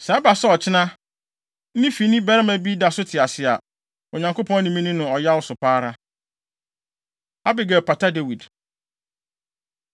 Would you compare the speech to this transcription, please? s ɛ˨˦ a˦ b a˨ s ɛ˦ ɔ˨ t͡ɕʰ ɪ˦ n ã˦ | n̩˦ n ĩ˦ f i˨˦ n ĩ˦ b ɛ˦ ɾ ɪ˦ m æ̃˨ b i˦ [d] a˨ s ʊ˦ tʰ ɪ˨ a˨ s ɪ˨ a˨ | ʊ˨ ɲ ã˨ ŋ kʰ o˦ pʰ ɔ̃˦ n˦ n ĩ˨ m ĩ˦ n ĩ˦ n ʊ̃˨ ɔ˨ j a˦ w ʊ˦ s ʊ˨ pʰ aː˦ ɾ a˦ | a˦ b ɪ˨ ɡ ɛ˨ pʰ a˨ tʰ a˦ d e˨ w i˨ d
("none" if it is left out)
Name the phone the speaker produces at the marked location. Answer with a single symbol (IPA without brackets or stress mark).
d